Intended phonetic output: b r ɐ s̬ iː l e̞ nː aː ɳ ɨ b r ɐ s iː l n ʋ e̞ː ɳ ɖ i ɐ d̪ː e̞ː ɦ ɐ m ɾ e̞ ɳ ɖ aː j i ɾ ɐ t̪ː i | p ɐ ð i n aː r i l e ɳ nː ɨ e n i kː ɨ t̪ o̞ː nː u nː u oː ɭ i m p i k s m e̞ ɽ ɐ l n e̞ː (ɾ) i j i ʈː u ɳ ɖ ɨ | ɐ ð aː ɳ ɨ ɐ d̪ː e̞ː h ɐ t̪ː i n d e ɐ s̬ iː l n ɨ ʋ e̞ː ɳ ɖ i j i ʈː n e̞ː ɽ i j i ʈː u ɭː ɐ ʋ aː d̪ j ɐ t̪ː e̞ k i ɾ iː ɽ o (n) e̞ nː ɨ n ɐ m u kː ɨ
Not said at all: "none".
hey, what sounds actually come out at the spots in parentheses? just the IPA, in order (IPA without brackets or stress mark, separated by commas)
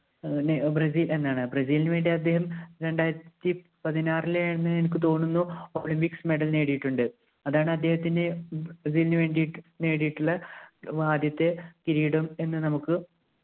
ɽ, m